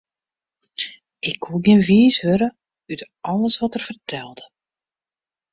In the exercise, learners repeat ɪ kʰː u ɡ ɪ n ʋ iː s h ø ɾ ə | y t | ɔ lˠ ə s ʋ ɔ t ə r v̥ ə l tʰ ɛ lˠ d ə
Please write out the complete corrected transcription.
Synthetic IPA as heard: ɪ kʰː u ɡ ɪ n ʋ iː s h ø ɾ ə | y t | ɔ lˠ ə s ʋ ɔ t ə r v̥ ə r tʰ ɛ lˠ d ə